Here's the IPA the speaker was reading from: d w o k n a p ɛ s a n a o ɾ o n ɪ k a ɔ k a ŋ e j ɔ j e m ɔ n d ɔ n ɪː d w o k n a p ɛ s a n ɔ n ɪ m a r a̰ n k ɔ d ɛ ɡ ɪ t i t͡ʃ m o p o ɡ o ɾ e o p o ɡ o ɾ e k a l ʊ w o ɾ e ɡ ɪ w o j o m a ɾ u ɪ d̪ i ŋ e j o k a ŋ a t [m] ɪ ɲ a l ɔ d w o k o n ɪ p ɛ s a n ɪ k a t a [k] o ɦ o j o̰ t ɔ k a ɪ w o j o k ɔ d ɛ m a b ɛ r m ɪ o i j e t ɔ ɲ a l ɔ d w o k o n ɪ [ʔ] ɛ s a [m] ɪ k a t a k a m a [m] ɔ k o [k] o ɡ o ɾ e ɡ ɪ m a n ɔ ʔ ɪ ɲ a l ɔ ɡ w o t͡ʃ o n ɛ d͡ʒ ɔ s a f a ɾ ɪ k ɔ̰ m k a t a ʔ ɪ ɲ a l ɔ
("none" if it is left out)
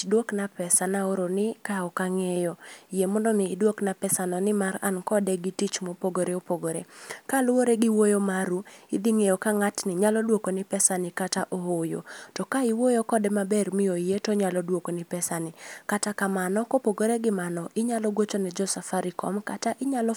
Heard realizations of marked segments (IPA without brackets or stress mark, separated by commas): n, ʔ, p, n, n, p